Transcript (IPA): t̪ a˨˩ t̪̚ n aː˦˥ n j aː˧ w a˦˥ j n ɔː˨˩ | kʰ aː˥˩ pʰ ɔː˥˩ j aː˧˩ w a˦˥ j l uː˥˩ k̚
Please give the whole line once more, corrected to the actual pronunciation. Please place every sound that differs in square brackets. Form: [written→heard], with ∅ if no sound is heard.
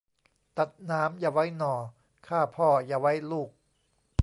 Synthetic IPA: t̪ a˨˩ t̪̚ n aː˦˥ [n→m] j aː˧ w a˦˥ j n ɔː˨˩ | kʰ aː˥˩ pʰ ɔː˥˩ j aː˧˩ w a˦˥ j l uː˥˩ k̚